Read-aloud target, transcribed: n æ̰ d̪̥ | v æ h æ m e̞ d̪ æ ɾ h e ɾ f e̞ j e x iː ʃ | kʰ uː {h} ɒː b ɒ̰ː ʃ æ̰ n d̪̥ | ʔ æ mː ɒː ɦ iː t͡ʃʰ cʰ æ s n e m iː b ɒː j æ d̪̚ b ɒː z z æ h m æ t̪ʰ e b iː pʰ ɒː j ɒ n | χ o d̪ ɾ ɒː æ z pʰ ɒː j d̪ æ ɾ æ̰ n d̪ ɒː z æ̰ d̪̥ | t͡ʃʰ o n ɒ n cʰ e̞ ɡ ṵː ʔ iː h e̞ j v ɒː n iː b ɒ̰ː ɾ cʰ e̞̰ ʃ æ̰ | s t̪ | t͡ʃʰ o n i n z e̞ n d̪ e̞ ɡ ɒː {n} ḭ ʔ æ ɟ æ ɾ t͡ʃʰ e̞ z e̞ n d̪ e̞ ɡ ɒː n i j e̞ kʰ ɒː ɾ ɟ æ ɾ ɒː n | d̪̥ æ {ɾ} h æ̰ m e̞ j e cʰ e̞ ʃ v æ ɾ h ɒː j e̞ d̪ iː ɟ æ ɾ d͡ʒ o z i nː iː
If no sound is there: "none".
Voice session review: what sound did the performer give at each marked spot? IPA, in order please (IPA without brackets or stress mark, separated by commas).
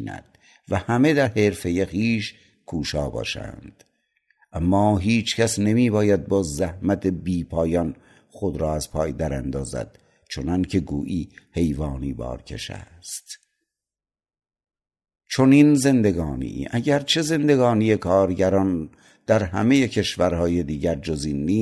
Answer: ʃ, n, ɾ